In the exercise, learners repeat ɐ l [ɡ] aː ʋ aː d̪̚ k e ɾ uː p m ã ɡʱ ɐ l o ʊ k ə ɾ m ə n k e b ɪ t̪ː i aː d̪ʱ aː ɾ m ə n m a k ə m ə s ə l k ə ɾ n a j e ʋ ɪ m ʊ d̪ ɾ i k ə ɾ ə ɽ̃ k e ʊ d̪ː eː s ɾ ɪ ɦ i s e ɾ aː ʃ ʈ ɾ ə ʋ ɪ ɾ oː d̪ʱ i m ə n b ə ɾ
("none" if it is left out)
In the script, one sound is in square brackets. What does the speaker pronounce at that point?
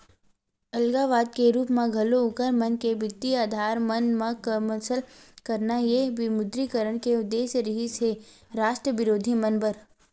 ɡ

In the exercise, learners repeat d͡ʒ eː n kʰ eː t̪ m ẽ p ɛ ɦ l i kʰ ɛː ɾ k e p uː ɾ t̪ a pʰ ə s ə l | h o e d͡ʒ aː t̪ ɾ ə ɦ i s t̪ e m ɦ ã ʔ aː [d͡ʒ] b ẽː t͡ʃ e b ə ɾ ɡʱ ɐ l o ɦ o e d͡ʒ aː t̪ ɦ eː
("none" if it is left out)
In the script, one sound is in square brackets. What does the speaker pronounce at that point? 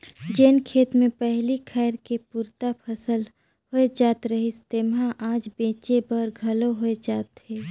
d͡ʒ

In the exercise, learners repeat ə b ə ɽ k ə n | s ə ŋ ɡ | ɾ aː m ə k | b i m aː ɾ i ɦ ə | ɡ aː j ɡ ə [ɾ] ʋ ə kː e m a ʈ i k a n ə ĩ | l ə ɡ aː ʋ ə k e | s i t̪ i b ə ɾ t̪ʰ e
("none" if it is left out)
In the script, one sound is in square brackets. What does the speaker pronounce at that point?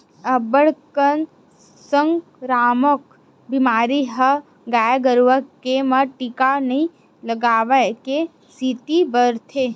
ɾ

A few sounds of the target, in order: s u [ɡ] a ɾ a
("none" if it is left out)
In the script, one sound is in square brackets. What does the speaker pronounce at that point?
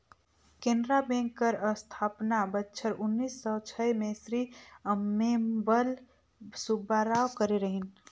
b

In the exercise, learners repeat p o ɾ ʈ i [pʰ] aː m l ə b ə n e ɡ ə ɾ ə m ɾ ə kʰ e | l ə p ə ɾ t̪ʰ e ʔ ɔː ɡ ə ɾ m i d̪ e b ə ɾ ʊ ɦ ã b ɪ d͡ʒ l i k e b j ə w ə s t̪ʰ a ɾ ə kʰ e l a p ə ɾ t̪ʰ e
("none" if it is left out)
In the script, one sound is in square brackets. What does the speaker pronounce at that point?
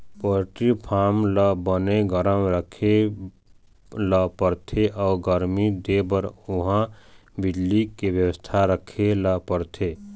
pʰ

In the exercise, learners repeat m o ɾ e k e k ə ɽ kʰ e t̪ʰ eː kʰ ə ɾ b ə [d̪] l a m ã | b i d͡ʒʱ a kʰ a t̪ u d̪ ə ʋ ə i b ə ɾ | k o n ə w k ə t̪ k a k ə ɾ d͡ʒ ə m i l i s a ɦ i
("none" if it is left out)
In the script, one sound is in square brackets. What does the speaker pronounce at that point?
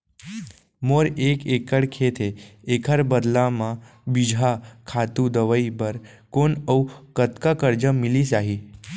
d̪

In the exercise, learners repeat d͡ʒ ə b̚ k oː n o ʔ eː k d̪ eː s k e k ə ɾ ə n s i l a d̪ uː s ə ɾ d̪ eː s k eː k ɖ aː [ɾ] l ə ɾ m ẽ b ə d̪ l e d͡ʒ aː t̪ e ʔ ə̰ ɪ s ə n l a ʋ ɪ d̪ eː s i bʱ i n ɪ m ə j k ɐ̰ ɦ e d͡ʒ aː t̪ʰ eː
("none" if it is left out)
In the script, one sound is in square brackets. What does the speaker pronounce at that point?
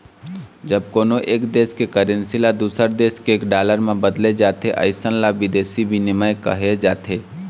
none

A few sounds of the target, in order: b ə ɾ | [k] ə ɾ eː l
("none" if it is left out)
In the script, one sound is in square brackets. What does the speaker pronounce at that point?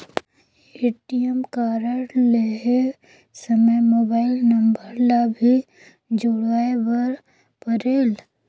p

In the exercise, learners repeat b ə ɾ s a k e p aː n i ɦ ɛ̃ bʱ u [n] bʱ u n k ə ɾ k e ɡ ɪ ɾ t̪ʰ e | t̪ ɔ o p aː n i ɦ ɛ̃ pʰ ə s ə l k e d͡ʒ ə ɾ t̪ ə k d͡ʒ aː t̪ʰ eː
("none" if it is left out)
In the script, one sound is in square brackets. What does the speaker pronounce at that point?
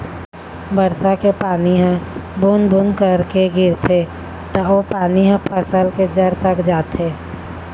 n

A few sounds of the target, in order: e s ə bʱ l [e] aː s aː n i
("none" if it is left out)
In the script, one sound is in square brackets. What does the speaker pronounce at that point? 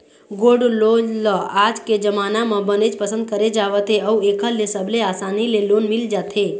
e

